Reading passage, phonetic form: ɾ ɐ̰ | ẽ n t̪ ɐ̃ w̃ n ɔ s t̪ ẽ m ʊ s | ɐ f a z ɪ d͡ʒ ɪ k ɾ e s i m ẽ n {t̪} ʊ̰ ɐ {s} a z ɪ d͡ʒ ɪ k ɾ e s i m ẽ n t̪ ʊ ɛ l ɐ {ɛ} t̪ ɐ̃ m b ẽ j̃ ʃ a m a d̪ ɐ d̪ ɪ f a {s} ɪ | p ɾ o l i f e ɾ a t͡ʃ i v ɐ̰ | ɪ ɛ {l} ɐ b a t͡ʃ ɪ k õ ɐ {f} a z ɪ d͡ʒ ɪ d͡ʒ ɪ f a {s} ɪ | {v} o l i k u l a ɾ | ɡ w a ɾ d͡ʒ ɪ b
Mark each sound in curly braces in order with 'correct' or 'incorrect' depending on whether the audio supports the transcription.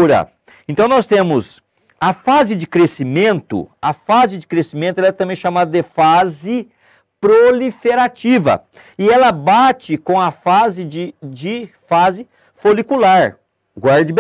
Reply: correct, incorrect: f, correct, incorrect: z, correct, correct, incorrect: z, incorrect: f

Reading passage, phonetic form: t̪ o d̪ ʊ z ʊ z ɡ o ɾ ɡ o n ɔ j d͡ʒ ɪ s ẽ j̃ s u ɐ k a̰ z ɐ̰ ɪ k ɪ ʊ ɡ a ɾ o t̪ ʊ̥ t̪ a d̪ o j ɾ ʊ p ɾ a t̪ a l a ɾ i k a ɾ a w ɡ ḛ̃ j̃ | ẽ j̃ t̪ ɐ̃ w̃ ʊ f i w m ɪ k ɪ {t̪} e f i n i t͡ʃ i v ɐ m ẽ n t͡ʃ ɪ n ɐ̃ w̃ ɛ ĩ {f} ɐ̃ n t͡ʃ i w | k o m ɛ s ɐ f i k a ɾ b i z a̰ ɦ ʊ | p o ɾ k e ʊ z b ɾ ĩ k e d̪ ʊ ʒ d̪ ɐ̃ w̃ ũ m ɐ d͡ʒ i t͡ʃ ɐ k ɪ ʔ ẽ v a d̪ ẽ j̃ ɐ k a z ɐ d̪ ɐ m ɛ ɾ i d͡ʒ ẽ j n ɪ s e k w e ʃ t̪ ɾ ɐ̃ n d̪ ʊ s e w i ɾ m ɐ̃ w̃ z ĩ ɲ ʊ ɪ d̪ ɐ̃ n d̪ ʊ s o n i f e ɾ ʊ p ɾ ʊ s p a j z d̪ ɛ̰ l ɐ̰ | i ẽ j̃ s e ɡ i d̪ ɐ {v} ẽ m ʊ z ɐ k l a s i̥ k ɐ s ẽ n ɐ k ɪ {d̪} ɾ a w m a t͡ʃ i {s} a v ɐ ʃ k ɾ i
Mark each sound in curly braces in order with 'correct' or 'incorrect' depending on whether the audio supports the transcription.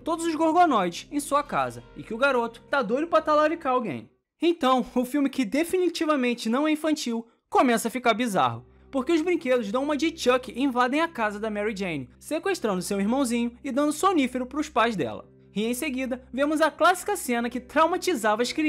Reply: incorrect: d̪, correct, correct, incorrect: t̪, incorrect: z

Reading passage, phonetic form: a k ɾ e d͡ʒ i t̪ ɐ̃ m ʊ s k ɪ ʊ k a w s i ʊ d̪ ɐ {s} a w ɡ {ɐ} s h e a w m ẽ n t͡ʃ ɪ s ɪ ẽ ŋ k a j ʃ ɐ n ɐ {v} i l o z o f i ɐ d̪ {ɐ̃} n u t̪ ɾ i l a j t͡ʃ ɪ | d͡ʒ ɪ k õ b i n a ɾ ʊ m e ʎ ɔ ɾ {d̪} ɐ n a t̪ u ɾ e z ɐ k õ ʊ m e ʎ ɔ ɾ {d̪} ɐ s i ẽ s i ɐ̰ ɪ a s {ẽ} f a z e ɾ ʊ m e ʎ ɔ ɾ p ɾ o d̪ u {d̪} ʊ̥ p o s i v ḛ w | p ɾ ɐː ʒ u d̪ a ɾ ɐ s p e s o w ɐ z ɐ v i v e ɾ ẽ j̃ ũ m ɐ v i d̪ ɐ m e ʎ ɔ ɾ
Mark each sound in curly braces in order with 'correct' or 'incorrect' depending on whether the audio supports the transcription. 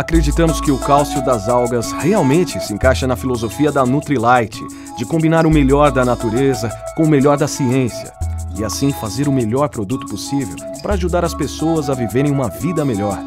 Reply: incorrect: z, correct, incorrect: f, incorrect: ɐ, correct, correct, incorrect: ĩ, incorrect: t̪

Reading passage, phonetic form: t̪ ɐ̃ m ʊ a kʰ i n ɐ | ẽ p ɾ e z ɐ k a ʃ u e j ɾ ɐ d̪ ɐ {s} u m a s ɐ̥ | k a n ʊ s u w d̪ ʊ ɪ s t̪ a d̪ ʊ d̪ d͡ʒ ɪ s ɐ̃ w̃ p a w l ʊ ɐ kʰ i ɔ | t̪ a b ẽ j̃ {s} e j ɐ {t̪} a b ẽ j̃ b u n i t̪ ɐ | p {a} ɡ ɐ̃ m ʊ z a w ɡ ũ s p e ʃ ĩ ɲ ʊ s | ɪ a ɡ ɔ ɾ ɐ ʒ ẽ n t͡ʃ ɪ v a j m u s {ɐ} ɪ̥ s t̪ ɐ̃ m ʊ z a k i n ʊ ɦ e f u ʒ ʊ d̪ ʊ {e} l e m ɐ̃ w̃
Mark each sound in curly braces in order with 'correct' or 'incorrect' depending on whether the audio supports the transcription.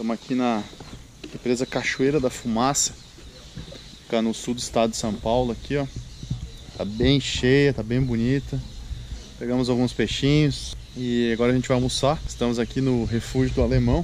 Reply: incorrect: f, incorrect: ʃ, correct, incorrect: e, incorrect: a, incorrect: a

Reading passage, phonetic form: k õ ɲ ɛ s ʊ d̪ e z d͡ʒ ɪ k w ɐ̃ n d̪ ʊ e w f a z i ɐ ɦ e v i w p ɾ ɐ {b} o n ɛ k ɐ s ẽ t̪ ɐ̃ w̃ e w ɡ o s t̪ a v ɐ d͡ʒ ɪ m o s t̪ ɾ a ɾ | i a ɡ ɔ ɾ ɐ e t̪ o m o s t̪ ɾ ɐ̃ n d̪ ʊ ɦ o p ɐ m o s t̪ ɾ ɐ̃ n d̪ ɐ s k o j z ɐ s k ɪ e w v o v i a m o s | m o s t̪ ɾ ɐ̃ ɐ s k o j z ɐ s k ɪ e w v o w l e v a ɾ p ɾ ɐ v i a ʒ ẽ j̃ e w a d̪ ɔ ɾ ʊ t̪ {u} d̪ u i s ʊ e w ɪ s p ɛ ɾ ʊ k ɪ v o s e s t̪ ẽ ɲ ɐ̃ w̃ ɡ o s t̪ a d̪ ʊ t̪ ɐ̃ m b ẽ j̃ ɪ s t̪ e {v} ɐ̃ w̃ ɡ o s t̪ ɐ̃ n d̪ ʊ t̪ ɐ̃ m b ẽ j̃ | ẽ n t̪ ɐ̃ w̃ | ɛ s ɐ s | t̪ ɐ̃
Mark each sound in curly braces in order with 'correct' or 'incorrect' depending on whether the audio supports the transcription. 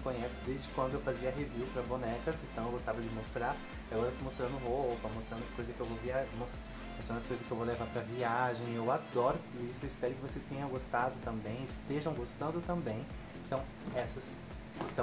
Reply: correct, correct, incorrect: ʒ

